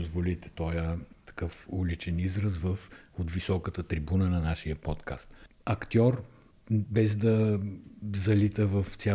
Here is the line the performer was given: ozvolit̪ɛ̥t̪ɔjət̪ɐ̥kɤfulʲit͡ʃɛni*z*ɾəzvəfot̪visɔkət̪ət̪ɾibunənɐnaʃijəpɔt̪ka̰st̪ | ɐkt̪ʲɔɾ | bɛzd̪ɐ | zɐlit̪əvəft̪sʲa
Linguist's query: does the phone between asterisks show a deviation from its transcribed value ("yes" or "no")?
no